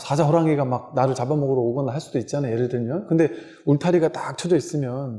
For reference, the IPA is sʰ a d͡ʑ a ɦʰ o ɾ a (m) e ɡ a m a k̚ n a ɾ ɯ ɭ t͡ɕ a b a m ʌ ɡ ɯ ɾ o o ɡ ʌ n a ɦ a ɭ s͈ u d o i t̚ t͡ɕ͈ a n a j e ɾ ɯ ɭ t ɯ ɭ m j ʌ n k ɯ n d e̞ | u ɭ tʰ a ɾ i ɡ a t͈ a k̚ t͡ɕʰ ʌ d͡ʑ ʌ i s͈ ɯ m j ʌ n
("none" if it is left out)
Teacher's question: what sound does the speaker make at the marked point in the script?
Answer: ŋ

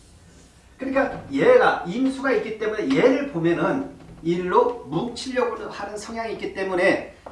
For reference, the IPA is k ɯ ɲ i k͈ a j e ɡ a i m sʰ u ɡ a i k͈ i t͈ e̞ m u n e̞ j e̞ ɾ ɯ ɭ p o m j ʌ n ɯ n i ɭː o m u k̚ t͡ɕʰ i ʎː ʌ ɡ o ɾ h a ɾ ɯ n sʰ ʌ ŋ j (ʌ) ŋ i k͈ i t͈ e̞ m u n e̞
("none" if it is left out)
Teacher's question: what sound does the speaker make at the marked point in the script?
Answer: a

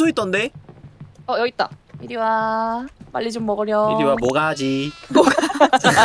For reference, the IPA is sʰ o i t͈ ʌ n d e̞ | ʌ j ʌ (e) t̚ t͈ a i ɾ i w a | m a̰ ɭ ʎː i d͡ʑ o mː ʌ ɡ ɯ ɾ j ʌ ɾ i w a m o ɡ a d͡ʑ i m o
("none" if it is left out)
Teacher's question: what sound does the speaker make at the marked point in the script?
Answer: i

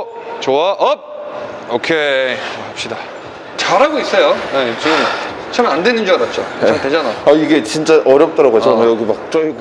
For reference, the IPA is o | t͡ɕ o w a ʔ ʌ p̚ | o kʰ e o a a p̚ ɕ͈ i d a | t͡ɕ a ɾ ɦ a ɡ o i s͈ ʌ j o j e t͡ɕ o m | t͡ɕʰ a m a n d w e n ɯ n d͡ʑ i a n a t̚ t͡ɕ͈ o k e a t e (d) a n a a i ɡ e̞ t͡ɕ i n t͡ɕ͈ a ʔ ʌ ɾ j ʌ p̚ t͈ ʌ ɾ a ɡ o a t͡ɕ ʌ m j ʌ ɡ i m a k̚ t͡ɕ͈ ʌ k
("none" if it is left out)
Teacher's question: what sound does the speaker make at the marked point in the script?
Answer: d͡ʑ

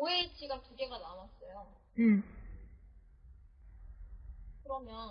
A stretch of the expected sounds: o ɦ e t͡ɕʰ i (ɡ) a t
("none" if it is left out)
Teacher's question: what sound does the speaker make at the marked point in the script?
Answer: ɡ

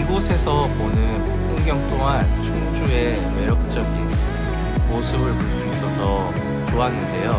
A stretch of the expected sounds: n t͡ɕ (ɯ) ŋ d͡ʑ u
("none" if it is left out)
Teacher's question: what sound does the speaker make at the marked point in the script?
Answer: u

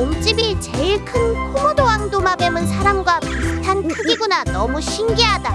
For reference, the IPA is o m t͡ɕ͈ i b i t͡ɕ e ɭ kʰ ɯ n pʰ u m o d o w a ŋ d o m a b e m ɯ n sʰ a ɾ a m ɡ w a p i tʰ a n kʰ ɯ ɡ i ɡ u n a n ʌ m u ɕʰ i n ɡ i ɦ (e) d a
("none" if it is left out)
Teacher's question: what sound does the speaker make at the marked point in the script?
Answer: a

